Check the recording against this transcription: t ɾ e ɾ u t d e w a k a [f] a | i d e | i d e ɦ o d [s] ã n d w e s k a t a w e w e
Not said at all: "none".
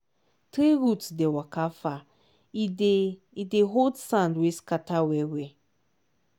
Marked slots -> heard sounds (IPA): f, s

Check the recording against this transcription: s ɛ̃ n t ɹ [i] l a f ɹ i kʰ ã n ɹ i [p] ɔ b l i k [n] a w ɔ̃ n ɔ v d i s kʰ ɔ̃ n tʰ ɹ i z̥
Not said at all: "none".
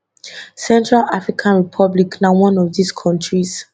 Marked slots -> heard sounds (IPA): a, pʰ, n

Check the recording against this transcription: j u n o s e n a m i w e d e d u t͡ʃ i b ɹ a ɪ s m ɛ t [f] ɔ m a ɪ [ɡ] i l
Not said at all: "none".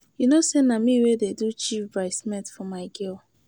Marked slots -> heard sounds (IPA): f, ɡ

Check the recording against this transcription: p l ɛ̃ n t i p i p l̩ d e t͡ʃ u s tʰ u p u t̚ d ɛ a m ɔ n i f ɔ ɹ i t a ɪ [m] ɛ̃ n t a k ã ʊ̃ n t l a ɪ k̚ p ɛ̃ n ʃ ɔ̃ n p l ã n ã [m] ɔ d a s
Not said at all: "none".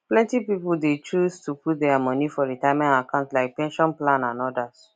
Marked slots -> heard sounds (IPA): m, n

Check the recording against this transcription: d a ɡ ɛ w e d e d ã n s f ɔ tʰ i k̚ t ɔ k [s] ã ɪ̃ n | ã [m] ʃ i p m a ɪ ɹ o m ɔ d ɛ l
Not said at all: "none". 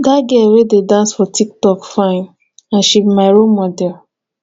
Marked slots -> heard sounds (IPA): f, n

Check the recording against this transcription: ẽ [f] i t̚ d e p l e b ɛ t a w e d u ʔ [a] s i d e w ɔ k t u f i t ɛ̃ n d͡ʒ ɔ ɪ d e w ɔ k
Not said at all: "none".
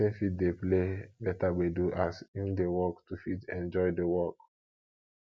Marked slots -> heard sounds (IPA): f, a

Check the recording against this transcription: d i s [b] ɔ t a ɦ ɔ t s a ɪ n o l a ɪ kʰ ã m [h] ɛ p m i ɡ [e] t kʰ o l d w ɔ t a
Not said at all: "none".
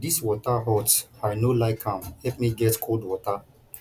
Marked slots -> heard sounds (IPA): w, h, ɛ

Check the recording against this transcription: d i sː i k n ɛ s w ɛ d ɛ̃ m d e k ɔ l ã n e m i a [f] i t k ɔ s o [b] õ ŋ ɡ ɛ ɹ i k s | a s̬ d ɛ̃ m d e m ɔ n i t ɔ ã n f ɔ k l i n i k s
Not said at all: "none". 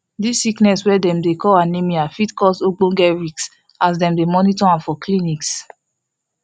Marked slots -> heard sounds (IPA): f, ɡ͡b

